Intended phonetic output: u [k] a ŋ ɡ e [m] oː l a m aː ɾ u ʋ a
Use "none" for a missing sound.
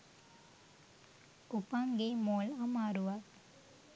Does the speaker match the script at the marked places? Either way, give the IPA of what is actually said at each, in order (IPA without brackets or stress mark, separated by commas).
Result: p, m